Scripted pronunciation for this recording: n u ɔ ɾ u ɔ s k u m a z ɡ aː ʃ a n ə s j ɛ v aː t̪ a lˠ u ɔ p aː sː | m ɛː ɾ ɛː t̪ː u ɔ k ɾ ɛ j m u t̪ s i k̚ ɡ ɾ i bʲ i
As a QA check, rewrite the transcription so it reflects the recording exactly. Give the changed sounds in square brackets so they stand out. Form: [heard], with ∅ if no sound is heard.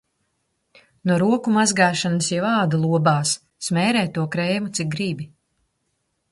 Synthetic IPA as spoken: n u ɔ ɾ u ɔ [∅] k u m a z ɡ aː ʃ a n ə s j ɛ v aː [d̪] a lˠ u ɔ [b] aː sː | m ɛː ɾ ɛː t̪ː u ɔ k ɾ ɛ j m u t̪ s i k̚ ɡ ɾ i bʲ i